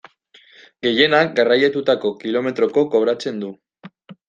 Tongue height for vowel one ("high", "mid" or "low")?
mid